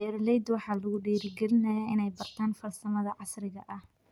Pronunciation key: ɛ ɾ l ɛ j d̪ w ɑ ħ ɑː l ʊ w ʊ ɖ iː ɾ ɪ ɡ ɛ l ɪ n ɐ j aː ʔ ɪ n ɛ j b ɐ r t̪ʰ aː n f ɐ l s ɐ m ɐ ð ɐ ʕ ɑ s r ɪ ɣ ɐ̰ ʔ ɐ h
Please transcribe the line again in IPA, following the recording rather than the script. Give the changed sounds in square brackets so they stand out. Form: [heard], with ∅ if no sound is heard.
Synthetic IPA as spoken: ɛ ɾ l ɛ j d̪ w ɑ ħ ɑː l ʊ [ɣ] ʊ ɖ iː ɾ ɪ ɡ ɛ l ɪ n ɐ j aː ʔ ɪ n ɛ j b ɐ r t̪ʰ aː n f ɐ l s ɐ m ɐ ð ɐ ʕ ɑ s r ɪ ɣ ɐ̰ ʔ ɐ h